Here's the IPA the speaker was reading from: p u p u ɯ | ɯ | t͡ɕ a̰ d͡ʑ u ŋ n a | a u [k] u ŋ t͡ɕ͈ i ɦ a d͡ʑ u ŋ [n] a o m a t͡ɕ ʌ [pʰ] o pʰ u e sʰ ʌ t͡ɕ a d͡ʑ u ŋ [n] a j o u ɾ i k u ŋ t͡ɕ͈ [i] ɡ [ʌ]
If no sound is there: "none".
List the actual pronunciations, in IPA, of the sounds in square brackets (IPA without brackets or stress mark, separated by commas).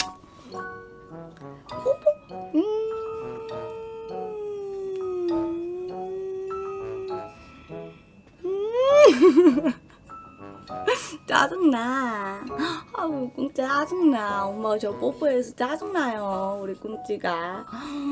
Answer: k, n, p, n, i, a